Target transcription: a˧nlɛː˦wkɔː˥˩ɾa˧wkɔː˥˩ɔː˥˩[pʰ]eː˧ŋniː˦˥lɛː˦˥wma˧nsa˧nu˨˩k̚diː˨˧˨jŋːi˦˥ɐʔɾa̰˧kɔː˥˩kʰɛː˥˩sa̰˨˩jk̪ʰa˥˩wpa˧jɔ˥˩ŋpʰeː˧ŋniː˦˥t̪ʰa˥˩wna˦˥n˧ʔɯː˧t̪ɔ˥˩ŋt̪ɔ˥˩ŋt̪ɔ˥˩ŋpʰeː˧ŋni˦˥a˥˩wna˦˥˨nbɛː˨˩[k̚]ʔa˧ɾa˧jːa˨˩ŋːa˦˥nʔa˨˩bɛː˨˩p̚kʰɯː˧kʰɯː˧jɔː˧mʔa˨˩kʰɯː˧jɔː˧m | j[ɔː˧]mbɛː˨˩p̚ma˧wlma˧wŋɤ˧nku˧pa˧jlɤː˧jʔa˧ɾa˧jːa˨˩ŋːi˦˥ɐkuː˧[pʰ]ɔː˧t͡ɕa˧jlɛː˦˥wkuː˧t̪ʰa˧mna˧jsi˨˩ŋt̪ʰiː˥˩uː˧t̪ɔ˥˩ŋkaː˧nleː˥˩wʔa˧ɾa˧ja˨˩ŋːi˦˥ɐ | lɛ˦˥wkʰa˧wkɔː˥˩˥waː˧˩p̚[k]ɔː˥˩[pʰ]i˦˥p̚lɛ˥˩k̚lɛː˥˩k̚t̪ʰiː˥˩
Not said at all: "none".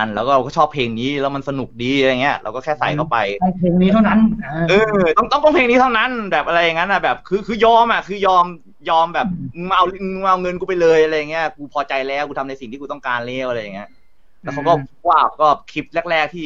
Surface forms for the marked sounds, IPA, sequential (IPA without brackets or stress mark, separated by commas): pʰ, p̚, ɔː˧, pʰ, k, kʰ